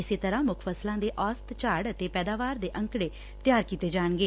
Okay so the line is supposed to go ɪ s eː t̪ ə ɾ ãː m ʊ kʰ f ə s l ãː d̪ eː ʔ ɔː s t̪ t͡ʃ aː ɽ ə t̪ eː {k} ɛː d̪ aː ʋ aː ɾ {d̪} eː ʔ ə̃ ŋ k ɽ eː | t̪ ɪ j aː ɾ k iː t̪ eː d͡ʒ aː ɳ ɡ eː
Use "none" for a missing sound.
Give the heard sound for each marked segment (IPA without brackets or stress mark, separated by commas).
p, d̪